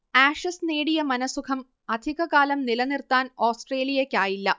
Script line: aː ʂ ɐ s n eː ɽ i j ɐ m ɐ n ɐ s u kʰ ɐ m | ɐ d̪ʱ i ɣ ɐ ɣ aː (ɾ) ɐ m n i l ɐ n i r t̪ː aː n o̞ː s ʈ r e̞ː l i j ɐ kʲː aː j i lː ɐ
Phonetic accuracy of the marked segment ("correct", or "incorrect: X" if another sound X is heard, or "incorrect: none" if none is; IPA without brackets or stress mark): incorrect: l